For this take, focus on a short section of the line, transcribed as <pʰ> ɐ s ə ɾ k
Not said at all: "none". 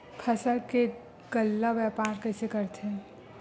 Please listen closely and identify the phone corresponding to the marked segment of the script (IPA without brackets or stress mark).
kʰ